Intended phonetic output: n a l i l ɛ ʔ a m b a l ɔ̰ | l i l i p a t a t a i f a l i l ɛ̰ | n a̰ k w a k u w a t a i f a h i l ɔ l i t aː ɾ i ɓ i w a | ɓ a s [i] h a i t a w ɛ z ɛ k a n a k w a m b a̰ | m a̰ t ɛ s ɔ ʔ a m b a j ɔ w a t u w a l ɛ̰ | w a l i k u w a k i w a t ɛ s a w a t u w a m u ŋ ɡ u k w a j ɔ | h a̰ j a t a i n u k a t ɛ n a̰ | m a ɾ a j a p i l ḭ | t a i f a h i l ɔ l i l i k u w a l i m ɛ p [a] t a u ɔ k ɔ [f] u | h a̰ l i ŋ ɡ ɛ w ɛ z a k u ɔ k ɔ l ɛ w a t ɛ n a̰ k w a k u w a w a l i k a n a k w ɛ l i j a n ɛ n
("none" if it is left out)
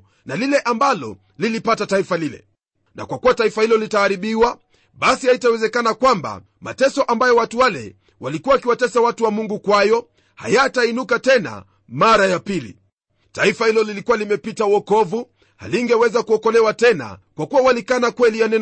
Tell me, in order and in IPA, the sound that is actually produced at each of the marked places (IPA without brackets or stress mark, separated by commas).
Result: i, i, v